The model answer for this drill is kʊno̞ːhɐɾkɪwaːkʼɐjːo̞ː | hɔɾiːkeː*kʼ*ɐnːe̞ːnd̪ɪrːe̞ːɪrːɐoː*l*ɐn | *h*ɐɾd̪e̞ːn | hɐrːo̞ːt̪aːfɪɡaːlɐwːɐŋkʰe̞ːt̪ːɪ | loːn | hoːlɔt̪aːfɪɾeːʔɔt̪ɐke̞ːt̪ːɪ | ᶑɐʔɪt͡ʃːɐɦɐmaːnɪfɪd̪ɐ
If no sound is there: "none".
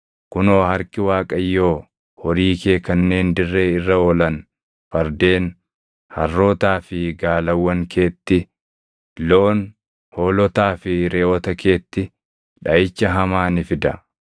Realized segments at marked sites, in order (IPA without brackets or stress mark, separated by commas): k, l, f